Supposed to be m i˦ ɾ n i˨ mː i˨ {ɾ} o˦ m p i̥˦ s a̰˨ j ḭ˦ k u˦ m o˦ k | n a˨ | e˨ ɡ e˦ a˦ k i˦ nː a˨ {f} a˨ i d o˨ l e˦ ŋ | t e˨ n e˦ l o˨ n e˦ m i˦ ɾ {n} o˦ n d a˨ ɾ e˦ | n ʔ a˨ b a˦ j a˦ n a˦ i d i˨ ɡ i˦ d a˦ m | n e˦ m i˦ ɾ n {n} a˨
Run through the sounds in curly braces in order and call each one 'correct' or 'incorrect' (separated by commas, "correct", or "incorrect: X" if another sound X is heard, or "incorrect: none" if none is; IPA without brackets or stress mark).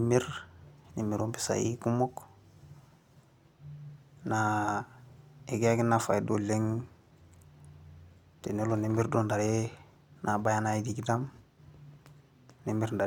correct, correct, incorrect: d, incorrect: d